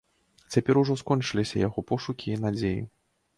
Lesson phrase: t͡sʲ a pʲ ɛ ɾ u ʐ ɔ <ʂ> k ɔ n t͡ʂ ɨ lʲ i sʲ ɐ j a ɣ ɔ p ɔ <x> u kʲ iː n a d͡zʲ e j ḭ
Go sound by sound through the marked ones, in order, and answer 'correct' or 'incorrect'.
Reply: incorrect, incorrect

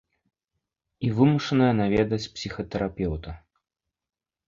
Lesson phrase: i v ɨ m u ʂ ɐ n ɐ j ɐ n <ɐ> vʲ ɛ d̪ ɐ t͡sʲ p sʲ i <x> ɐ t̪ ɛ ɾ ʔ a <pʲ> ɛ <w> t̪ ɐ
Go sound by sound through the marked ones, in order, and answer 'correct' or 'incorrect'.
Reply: incorrect, correct, correct, correct

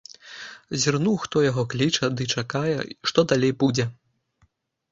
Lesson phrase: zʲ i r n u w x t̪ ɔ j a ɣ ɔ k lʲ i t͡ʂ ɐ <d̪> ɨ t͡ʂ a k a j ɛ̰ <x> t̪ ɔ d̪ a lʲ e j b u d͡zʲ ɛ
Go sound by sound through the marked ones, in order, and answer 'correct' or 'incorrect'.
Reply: correct, incorrect

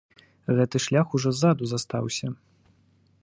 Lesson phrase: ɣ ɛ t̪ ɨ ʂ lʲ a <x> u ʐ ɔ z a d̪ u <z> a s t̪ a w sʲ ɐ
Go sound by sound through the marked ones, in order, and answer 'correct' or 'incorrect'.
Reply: correct, correct

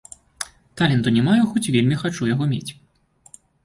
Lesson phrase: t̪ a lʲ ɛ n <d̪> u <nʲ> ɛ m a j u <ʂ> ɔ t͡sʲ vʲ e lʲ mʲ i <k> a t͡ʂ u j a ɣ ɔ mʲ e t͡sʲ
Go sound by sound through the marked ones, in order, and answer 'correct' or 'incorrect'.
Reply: incorrect, correct, incorrect, incorrect

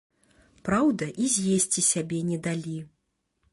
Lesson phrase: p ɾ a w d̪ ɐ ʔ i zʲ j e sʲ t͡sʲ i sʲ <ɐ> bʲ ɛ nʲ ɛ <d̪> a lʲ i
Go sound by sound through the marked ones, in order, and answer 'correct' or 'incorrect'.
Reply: incorrect, correct

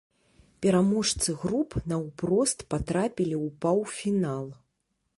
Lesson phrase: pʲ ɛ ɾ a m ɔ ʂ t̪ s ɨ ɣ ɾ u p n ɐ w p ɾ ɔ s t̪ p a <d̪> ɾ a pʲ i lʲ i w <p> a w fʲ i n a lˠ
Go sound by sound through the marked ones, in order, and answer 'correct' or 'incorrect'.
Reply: incorrect, correct

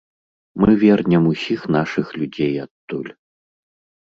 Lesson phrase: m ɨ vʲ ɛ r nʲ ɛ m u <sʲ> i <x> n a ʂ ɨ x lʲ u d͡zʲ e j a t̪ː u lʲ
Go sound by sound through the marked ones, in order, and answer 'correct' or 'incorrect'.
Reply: correct, correct

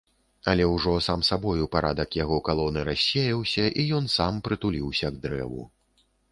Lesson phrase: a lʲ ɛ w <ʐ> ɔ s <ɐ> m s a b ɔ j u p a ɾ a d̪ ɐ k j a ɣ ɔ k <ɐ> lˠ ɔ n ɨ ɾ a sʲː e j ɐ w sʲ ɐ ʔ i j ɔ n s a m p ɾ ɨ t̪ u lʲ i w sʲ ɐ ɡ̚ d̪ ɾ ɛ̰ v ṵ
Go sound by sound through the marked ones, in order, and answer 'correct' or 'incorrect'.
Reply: correct, incorrect, incorrect

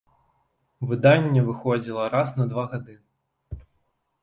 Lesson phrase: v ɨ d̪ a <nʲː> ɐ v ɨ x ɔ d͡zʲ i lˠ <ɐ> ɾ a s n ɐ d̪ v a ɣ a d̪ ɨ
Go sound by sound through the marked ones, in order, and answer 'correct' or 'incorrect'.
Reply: correct, correct

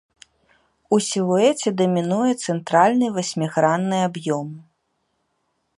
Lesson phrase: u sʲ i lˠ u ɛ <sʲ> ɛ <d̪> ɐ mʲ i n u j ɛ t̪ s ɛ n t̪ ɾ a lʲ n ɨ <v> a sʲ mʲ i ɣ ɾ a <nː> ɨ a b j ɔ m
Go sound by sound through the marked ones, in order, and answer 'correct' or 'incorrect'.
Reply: incorrect, correct, correct, correct

